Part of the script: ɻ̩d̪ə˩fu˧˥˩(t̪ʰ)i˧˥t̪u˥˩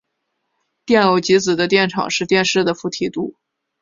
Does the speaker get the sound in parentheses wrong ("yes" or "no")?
no